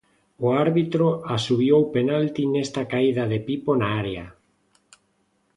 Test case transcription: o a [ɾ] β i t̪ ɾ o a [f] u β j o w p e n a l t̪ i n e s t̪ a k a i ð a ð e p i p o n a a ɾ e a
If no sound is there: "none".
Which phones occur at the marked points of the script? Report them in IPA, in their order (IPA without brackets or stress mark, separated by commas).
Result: ɾ, s